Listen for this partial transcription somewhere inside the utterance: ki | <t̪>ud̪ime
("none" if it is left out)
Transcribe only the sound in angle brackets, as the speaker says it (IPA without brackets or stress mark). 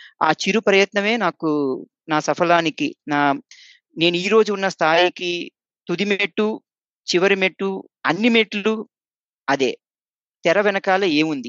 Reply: t̪